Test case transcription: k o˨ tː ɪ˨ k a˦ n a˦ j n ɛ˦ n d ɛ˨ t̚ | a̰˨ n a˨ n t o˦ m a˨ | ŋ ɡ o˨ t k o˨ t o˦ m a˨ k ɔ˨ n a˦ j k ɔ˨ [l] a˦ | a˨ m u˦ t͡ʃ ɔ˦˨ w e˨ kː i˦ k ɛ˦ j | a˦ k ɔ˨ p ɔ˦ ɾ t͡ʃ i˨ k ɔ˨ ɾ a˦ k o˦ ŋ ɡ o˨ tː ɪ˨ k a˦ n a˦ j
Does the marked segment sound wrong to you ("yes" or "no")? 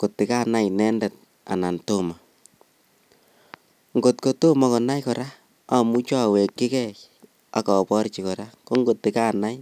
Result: yes